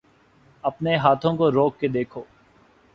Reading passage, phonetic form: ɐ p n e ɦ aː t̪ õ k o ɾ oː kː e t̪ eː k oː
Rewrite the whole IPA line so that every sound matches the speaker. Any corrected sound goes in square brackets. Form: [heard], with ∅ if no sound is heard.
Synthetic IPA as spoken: ɐ p n e ɦ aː [t̪ʰ] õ k o ɾ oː kː e [d̪] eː [kʰ] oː